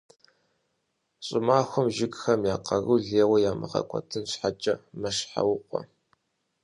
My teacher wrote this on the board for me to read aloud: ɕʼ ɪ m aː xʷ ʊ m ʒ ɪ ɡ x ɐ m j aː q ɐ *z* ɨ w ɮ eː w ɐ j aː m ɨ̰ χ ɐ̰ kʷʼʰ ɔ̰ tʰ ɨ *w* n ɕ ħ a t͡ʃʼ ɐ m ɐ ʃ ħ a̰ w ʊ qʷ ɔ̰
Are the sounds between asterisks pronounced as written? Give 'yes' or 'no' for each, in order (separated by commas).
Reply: no, no